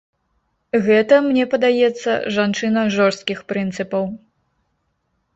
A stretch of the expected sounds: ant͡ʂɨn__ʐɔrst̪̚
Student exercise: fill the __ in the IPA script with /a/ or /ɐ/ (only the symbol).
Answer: ɐ